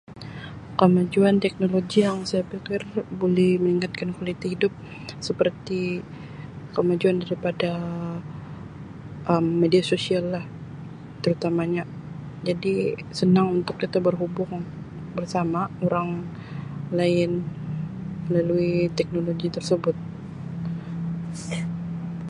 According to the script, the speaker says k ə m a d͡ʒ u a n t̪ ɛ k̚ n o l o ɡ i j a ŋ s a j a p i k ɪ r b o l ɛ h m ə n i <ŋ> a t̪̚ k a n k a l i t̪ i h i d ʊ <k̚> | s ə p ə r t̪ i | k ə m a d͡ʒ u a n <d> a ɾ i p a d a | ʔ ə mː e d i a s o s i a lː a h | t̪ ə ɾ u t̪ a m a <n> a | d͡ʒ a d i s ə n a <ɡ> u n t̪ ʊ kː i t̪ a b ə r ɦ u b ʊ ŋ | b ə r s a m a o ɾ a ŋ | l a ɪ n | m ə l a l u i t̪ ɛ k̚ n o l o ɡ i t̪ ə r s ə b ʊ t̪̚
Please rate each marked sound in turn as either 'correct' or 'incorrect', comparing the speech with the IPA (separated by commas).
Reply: correct, incorrect, correct, incorrect, incorrect